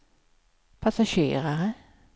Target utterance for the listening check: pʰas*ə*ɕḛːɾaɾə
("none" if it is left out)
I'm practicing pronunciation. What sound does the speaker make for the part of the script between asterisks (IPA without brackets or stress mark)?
a